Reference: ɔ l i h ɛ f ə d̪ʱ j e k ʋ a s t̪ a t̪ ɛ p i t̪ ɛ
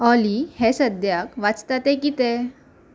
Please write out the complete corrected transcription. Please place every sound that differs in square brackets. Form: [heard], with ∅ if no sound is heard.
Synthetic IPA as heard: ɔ l i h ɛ [s] ə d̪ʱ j [a] k ʋ a [t͡s] t̪ a t̪ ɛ [k] i t̪ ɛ